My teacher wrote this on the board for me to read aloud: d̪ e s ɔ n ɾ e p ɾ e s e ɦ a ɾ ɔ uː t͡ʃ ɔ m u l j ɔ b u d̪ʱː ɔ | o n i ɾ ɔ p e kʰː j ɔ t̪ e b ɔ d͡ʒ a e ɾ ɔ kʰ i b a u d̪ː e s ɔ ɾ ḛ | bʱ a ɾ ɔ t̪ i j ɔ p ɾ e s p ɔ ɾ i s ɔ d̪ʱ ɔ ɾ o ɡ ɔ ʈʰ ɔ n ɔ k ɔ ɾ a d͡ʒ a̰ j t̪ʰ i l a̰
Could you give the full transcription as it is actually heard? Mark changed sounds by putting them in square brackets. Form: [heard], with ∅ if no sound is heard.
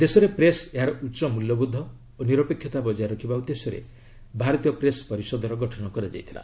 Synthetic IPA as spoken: d̪ e s ɔ [∅] ɾ e p ɾ e s e ɦ a ɾ ɔ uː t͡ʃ ɔ m u l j ɔ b u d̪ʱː ɔ | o n i ɾ ɔ p e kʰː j ɔ t̪ [a] b ɔ d͡ʒ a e ɾ ɔ kʰ i b a u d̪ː e s ɔ ɾ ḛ | bʱ a ɾ ɔ t̪ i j ɔ p ɾ e s p ɔ ɾ i s ɔ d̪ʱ ɔ ɾ [ɔ] ɡ ɔ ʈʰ ɔ n ɔ k ɔ ɾ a d͡ʒ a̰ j t̪ʰ i l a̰